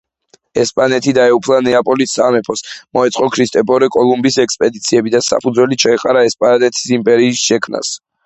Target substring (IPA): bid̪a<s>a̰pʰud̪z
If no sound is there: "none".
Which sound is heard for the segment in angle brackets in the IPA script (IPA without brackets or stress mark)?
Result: s